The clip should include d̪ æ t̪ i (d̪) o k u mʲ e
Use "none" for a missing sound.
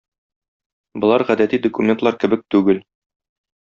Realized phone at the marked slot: d̪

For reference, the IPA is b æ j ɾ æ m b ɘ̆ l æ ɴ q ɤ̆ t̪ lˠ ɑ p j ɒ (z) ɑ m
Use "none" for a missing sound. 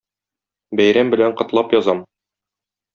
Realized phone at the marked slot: z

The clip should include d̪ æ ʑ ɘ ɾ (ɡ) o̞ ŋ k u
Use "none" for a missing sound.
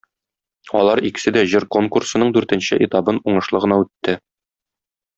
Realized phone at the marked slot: k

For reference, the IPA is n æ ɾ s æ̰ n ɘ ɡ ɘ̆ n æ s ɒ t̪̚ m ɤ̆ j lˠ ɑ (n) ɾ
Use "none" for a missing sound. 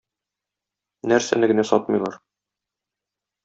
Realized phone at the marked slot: none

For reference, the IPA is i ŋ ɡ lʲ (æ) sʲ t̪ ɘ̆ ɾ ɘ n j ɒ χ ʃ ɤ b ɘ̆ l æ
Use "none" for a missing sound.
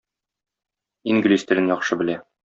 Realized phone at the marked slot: i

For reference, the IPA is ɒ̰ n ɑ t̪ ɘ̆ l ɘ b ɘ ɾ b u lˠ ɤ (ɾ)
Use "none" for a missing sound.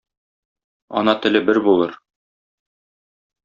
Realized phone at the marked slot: ɾ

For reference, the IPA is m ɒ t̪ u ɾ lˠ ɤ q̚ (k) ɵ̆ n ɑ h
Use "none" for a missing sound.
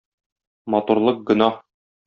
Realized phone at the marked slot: ɡ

